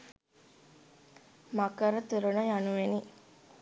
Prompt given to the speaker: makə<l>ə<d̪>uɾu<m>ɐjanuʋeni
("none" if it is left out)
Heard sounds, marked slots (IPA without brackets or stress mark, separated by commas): ɾ, t̪, n